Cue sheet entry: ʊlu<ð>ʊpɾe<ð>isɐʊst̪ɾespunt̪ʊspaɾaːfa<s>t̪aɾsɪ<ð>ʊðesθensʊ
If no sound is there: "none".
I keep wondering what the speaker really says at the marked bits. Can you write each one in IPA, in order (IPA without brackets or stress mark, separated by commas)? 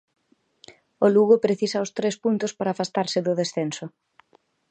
ɣ, θ, s, ð